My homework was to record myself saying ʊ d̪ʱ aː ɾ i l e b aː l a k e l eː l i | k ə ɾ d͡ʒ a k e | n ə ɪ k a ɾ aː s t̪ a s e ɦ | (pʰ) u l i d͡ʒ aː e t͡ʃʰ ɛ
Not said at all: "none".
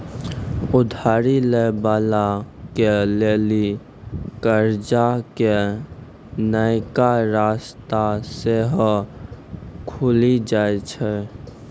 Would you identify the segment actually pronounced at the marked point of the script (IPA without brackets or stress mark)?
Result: kʰ